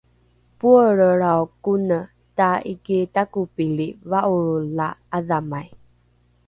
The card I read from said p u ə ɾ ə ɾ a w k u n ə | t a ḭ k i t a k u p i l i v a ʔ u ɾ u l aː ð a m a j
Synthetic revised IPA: p u ə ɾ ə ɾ a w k u n ə | t a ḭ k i t a k u p i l i v a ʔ u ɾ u l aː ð a m a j